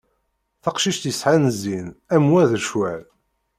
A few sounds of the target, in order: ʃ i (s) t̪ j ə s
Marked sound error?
yes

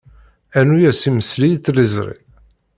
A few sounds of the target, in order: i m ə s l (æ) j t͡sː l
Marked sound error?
yes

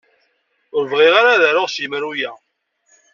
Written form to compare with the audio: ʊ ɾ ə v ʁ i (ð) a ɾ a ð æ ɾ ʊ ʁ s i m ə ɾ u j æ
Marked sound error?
yes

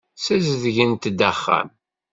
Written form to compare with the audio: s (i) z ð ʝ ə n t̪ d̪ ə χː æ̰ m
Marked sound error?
yes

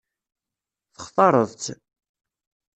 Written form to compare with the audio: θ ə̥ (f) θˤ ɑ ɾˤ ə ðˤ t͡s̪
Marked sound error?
yes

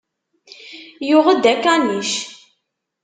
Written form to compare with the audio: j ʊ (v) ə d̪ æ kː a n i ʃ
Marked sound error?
yes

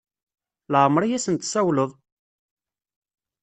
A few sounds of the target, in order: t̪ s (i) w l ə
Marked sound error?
yes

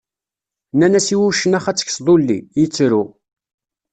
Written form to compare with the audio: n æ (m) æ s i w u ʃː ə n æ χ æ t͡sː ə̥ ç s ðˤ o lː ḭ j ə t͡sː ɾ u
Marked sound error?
yes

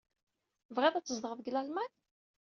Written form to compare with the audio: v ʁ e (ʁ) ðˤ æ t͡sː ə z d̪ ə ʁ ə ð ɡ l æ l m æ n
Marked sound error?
yes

